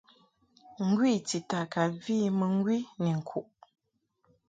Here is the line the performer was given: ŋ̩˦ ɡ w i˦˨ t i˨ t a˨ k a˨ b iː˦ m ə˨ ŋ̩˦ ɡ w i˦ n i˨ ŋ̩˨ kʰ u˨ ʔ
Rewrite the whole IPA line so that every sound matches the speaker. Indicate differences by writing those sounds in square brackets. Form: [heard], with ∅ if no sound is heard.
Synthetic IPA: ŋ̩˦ ɡ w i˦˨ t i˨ t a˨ k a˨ [v] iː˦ m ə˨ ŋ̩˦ ɡ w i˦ n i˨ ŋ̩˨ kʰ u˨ ʔ